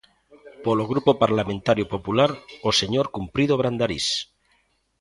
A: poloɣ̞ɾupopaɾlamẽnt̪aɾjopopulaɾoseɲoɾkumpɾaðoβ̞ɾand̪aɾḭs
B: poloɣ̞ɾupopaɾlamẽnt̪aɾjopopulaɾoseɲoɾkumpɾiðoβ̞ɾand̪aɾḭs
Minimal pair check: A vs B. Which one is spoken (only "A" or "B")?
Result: B